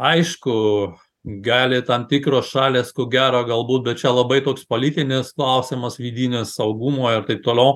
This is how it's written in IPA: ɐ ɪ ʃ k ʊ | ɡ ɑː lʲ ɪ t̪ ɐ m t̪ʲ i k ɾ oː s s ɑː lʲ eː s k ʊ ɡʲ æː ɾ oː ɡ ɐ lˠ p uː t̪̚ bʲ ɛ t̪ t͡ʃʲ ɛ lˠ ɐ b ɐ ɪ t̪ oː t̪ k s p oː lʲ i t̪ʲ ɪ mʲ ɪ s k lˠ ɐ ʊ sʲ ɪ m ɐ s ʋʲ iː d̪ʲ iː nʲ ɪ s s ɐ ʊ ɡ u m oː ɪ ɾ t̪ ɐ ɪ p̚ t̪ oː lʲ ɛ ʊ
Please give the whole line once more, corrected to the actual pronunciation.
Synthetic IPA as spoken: ɐ ɪ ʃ k ʊ | ɡ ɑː lʲ ɪ t̪ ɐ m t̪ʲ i k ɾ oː s ʃ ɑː lʲ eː s k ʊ ɡʲ æː ɾ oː ɡ ɐ lˠ b uː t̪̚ bʲ ɛ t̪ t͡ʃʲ ɛ lˠ ɐ b ɐ ɪ t̪ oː k s p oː lʲ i t̪ʲ ɪ nʲ ɪ s k lˠ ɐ ʊ sʲ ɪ m ɐ s ʋʲ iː d̪ʲ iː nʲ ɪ s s ɐ ʊ ɡ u m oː ɪ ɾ t̪ ɐ ɪ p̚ t̪ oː lʲ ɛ ʊ

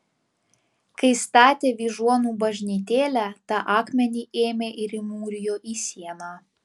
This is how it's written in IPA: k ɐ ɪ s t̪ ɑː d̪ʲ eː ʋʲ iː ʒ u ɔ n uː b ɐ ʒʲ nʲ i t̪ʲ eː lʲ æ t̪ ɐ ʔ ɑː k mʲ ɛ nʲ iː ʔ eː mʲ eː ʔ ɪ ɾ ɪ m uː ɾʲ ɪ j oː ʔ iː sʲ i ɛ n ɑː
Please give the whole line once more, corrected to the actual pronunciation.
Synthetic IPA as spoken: k ɐ ɪ s t̪ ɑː t̪ʲ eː ʋʲ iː ʒ u ɔ n uː b ɐ ʒʲ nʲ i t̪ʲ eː lʲ æ t̪ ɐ ʔ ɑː k mʲ ɛ nʲ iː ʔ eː mʲ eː ʔ ɪ ɾ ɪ m uː ɾʲ ɪ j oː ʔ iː sʲ i ɛ n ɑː

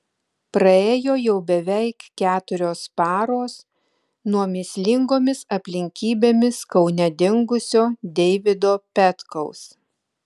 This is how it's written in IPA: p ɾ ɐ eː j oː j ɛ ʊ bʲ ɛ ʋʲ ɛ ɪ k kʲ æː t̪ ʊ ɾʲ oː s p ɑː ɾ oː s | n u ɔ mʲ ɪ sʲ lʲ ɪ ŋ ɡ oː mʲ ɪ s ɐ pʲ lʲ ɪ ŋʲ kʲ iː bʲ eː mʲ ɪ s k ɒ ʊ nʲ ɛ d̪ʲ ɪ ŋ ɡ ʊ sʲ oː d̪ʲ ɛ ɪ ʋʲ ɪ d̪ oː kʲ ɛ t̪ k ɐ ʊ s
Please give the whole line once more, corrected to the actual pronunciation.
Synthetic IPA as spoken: p ɾ ɐ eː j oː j ɛ ʊ bʲ ɛ ʋʲ ɛ ɪ k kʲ æː t̪ ʊ ɾʲ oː s p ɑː ɾ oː s | n u ɔ mʲ ɪ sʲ lʲ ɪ ŋ ɡ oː mʲ ɪ s ɐ pʲ lʲ ɪ ŋʲ kʲ iː bʲ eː mʲ ɪ s k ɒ ʊ nʲ ɛ d̪ʲ ɪ ŋ ɡ ʊ sʲ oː d̪ʲ ɛ ɪ ʋʲ ɪ d̪ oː pʲ ɛ t̪ k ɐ ʊ s

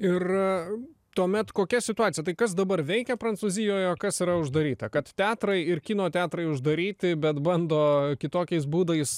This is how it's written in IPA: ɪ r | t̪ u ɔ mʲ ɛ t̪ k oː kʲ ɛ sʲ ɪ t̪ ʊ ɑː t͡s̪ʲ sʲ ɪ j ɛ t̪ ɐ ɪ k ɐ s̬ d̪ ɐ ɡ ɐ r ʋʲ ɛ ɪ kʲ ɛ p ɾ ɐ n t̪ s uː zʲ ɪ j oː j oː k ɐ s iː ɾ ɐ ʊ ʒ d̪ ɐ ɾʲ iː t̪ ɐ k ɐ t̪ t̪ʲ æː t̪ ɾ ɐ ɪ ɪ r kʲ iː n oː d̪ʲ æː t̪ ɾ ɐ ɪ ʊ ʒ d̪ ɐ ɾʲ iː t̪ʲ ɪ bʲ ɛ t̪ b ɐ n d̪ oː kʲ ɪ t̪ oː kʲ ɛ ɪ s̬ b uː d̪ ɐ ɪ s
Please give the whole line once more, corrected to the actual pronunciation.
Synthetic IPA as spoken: ɪ r | t̪ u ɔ mʲ ɛ t̪ k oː kʲ ɛ sʲ ɪ t̪ ʊ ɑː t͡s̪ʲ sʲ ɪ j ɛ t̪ ɐ ɪ k ɐ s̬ d̪ ɐ b ɐ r ʋʲ ɛ ɪ kʲ ɛ p ɾ ɐ n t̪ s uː zʲ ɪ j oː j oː k ɐ s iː ɾ ɐ ʊ ʒ d̪ ɐ ɾʲ iː t̪ ɐ k ɐ t̪ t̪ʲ æː t̪ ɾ ɐ ɪ ɪ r kʲ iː n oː t̪ʲ æː t̪ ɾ ɐ ɪ ʊ ʒ d̪ ɐ ɾʲ iː t̪ʲ ɪ bʲ ɛ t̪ b ɐ n d̪ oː kʲ ɪ t̪ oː kʲ ɛ ɪ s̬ b uː d̪ ɐ ɪ s

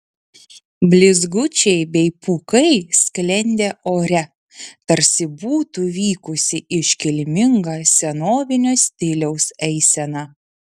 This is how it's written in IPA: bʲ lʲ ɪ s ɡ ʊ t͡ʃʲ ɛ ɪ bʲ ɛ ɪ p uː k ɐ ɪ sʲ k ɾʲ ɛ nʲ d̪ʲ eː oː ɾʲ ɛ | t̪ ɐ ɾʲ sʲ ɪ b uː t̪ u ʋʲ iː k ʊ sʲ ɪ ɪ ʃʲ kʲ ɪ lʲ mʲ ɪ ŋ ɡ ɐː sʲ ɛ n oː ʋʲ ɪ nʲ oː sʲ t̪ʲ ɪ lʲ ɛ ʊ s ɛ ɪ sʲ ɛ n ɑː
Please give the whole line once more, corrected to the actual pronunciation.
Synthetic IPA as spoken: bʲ lʲ ɪ z ɡ ʊ t͡ʃʲ ɛ ɪ bʲ ɛ ɪ p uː k ɐ ɪ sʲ k lʲ ɛ nʲ d̪ʲ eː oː ɾʲ ɛ | t̪ ɐ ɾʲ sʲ ɪ b uː t̪ u ʋʲ iː k ʊ sʲ ɪ ɪ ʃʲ kʲ ɪ lʲ mʲ ɪ ŋ ɡ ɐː sʲ ɛ n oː ʋʲ ɪ nʲ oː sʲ t̪ʲ ɪ lʲ ɛ ʊ s ɛ ɪ sʲ ɛ n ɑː

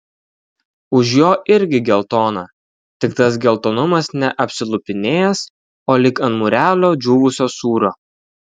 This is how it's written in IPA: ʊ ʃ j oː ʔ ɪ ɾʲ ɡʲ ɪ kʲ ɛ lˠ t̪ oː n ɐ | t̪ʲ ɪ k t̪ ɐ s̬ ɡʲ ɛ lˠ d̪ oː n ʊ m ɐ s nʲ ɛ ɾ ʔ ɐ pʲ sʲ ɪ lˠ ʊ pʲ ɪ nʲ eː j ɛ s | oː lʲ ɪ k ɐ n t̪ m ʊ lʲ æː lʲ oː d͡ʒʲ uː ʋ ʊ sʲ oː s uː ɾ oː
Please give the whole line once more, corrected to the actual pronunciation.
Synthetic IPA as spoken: ʊ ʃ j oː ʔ ɪ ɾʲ ɡʲ ɪ ɡʲ ɛ lˠ t̪ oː n ɐ | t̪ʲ ɪ k t̪ ɐ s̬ ɡʲ ɛ lˠ t̪ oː n ʊ m ɐ s nʲ ɛ ʔ ɐ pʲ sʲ ɪ lˠ ʊ pʲ ɪ nʲ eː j ɛ s | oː lʲ ɪ k ɐ n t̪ m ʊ ɾʲ æː lʲ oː d͡ʒʲ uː ʋ ʊ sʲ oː s uː ɾ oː

